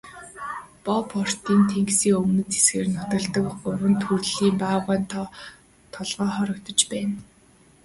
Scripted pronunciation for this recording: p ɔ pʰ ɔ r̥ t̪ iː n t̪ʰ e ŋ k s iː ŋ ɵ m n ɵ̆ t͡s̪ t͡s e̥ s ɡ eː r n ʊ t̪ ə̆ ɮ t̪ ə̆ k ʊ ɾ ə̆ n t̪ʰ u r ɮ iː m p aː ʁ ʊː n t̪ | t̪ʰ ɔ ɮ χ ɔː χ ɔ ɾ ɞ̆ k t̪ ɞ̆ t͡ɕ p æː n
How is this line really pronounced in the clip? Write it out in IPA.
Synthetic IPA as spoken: p ɔ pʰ ɔ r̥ t̪ iː n t̪ʰ e ŋ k s iː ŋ ɵ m n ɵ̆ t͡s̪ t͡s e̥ s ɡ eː r n ʊ t̪ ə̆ ɮ t̪ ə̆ k ʊ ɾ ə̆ n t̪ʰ u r ɮ iː m p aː ʁ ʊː n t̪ | t̪ʰ ɔ ɮ ʁ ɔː χ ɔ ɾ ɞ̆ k t̪ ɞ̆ t͡ɕ p æː n